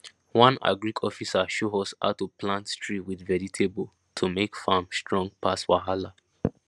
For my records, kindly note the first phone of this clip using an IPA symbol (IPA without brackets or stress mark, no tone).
w